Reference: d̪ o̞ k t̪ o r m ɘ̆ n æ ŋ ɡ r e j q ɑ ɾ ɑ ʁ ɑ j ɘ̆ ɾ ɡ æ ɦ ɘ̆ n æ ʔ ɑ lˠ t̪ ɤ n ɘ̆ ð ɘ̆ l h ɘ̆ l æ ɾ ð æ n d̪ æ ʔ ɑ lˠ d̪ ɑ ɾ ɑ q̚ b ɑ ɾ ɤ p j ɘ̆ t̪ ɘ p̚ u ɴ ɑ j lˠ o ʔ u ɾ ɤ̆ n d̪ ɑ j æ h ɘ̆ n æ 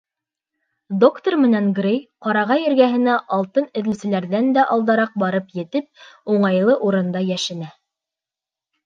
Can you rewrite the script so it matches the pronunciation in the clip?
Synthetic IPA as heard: d̪ o̞ k t̪ o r m ɘ̆ n æ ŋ ɡ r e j q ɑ ɾ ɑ ʁ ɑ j ɘ̆ ɾ ɡ æ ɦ ɘ̆ n æ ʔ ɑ lˠ t̪ ɤ n ɘ̆ ð ɘ̆ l s ɘ̆ l æ ɾ ð æ n d̪ æ ʔ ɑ lˠ d̪ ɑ ɾ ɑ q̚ b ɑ ɾ ɤ p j ɘ̆ t̪ ɘ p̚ u ɴ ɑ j lˠ ɤ ʔ u ɾ ɤ̆ n d̪ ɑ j æ ʃ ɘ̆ n æ